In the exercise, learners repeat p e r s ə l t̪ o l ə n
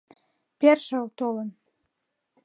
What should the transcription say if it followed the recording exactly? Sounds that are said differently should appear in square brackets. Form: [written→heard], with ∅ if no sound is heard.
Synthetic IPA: p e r [s→ʃ] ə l t̪ o l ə n